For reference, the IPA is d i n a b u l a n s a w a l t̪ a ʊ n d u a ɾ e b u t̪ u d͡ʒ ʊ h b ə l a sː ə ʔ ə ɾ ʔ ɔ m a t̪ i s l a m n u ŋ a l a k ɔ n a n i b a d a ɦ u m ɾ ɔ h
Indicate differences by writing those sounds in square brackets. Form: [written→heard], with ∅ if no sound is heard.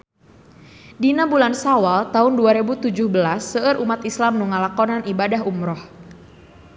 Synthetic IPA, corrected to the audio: d i n a b u l a n s a w a l t̪ a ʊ n d u a ɾ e b u t̪ u d͡ʒ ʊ h b ə l a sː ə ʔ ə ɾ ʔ [ɔ→u] m a t̪ i s l a m n u ŋ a l a k ɔ n a n i b a d a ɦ u m ɾ ɔ h